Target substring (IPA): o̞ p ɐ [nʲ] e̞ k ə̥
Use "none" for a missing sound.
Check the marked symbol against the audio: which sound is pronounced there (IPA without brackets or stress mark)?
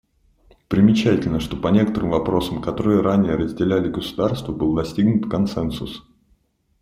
nʲ